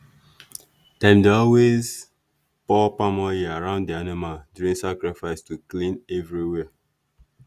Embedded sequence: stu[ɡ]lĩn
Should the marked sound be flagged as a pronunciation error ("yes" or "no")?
yes